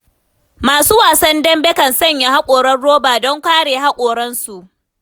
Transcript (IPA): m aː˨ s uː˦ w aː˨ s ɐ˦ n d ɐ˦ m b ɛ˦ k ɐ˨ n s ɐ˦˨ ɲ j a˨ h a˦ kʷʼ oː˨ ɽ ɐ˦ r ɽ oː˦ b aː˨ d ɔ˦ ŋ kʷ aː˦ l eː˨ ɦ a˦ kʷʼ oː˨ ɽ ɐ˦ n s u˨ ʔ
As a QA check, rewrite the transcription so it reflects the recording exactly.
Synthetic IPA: m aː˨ s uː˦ w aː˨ s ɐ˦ n d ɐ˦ m b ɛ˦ k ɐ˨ n s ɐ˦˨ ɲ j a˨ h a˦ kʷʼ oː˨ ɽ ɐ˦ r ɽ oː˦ b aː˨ d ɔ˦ ŋ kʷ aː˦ ɽ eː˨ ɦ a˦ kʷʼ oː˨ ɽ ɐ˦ n s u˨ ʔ